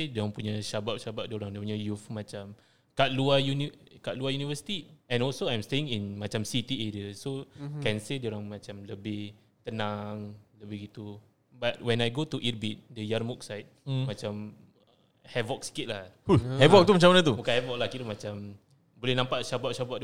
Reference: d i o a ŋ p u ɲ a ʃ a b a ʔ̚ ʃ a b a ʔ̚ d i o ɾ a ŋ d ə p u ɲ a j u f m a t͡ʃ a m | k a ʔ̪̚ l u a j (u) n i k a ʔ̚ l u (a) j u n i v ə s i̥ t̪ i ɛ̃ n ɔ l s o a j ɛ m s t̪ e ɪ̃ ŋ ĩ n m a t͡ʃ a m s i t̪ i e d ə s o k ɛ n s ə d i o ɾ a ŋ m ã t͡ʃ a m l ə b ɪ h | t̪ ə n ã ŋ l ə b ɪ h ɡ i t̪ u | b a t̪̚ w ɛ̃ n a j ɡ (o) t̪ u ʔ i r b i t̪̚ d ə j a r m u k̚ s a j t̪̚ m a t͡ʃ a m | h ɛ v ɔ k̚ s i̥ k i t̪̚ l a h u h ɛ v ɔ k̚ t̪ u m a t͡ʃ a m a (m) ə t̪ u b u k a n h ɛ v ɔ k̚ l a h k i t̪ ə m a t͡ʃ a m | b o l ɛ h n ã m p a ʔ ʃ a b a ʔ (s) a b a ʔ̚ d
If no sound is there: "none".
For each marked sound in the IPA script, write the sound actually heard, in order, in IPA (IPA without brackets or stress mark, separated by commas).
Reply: u, a, o, n, ʃ